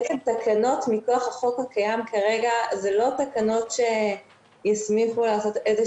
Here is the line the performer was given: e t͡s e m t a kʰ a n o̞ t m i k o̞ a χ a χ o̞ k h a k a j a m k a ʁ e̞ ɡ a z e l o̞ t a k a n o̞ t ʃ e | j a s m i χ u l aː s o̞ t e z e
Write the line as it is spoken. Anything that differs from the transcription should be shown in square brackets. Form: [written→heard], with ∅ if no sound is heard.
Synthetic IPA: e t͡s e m t a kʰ a n o̞ t m i k o̞ a χ a χ o̞ k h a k a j a m k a ʁ e̞ ɡ a z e l o̞ t a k a n o̞ t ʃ e | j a s m i χ u l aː s o̞ t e z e